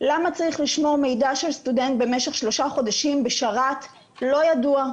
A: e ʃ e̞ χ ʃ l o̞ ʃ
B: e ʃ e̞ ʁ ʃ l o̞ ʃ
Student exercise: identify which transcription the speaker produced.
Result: A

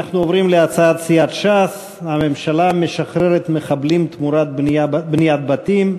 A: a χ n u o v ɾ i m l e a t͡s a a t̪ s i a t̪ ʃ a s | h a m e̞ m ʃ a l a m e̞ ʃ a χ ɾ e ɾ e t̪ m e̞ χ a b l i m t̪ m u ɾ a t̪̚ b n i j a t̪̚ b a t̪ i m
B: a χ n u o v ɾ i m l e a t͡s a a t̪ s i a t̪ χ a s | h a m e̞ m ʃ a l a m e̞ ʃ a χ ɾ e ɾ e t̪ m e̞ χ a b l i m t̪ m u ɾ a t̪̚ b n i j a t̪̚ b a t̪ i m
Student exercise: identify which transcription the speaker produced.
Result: A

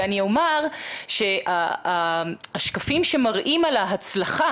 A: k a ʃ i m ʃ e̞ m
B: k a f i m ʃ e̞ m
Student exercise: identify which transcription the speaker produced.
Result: B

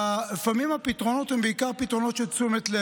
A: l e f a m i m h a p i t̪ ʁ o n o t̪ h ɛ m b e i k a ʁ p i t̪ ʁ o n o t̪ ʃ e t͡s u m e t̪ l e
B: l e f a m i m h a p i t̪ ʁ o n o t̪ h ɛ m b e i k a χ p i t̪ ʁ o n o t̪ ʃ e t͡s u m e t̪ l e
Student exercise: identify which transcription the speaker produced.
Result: A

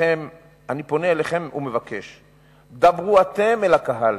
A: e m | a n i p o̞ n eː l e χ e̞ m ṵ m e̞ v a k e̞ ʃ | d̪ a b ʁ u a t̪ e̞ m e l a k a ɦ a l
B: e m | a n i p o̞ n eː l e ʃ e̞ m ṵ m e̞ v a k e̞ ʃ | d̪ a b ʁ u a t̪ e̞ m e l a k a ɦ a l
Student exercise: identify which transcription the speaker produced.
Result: A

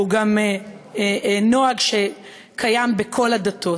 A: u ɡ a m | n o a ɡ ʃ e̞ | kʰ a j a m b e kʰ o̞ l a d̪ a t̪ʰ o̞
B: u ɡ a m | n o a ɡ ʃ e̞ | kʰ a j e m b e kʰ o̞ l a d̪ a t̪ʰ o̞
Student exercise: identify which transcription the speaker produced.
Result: A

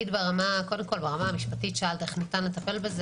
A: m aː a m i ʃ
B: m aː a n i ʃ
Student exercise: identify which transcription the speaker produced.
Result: A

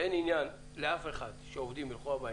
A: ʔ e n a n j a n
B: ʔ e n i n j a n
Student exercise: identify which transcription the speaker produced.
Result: B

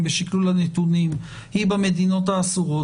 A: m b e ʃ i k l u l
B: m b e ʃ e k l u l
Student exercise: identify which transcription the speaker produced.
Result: A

